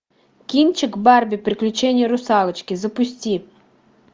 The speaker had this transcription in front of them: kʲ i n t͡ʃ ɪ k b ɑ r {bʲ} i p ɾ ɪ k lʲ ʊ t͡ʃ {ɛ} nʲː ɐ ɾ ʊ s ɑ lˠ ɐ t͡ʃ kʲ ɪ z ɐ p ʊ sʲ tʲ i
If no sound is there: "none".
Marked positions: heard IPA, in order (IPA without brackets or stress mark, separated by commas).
bʲ, ɛ